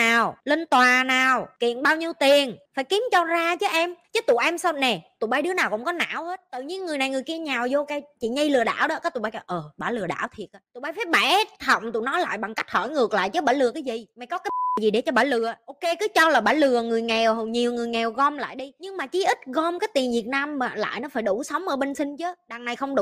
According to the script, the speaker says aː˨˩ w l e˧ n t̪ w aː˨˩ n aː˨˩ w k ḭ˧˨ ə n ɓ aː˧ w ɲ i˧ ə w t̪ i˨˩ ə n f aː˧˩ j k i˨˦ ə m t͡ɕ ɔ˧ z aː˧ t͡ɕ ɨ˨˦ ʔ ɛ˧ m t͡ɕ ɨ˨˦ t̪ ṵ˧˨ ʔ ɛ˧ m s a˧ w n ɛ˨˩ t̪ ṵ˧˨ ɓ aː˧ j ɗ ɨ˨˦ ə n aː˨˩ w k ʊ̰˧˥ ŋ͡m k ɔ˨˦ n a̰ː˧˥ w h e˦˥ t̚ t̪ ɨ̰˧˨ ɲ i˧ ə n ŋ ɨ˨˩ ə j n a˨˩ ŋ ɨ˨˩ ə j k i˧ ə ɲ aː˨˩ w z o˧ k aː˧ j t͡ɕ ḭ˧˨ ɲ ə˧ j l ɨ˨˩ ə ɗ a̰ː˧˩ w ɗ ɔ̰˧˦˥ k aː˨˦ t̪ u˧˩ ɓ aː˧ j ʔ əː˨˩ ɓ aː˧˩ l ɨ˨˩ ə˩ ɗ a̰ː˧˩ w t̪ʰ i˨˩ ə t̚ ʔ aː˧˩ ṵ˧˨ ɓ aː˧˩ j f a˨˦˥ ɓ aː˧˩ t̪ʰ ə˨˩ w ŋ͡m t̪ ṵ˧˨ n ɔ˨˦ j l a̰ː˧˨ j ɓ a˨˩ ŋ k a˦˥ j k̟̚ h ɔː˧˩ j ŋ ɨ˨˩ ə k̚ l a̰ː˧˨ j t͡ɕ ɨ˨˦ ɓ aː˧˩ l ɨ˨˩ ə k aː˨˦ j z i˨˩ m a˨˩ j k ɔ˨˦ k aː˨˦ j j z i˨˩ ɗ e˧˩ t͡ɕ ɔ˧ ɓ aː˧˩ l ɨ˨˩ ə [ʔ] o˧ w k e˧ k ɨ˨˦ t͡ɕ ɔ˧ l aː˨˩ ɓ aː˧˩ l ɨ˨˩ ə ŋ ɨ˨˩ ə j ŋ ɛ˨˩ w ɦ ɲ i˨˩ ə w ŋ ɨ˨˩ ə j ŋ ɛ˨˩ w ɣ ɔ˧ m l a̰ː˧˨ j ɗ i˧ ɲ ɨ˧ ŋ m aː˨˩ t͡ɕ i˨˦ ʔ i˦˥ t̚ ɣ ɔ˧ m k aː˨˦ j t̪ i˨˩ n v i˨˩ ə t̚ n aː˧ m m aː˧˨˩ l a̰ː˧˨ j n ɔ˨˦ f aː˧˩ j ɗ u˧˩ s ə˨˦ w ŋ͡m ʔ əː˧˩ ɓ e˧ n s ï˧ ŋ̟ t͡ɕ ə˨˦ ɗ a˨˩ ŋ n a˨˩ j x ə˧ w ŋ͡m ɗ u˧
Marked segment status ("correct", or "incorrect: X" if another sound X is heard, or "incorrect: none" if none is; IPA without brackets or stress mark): correct